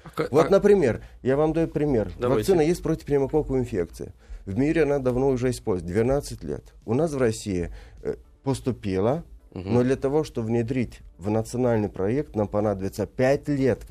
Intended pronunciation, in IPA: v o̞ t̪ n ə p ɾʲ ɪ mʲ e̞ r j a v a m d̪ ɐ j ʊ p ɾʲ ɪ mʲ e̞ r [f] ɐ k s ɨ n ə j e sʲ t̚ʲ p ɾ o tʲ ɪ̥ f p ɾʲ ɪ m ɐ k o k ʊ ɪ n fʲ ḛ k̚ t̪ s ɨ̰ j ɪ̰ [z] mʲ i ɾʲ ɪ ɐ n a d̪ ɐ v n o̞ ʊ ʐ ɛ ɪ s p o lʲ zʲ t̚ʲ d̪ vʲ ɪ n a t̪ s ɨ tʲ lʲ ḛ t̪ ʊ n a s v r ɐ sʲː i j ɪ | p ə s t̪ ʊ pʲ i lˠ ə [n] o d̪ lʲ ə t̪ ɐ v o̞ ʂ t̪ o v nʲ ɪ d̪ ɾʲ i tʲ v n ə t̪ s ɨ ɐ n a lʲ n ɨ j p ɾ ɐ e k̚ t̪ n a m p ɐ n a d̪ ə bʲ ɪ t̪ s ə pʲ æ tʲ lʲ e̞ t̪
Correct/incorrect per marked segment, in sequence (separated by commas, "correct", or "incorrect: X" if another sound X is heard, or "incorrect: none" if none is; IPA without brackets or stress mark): incorrect: v, incorrect: v, correct